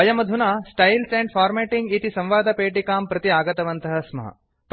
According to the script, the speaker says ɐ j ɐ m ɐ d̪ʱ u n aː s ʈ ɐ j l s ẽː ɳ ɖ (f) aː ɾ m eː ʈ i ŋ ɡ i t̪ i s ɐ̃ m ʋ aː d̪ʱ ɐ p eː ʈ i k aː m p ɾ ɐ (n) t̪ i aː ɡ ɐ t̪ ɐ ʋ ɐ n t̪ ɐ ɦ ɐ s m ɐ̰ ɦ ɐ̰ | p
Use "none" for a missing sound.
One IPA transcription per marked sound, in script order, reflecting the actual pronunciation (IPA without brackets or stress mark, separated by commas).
f, none